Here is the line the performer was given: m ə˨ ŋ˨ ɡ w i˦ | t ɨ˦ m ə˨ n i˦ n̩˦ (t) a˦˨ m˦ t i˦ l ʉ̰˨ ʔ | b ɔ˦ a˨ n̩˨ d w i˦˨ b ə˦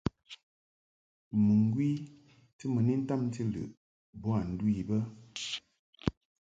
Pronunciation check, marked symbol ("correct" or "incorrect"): correct